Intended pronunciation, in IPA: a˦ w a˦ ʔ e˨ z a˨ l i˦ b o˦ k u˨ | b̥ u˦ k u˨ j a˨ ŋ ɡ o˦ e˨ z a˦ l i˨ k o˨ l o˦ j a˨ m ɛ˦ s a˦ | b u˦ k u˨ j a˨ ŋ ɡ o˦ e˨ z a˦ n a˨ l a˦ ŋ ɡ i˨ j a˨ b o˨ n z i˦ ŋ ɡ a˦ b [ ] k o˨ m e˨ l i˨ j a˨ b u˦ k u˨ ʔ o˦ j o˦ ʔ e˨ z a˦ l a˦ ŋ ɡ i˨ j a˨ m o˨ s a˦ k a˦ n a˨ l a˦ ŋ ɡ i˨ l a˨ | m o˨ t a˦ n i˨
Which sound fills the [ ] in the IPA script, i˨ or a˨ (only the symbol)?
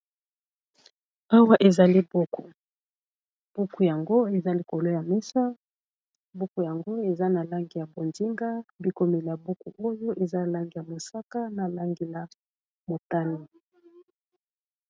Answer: i˨